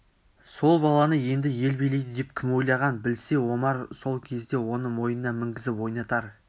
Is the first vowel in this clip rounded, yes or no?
yes